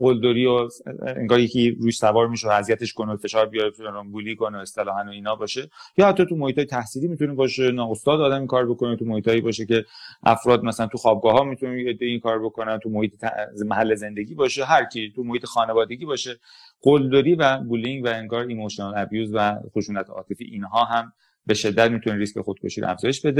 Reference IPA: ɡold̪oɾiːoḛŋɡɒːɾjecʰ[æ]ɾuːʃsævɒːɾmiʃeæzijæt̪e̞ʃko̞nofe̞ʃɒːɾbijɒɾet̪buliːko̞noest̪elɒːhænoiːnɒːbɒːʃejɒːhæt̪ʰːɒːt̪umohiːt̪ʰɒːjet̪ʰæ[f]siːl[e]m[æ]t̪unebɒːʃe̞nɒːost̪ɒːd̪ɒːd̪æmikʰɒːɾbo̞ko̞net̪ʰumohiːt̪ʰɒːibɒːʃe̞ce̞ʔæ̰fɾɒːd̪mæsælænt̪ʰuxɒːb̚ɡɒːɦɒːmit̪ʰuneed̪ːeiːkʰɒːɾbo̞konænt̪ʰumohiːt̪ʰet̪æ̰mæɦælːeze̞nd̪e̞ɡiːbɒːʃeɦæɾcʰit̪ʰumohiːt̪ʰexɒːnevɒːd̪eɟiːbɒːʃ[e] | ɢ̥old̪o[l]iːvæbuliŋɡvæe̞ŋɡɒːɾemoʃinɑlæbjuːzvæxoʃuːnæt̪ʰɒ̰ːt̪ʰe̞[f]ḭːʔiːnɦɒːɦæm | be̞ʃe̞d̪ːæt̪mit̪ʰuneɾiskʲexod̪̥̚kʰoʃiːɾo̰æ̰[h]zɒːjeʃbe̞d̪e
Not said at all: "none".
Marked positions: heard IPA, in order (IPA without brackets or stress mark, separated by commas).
i, h, i, i, e, ɾ, f, f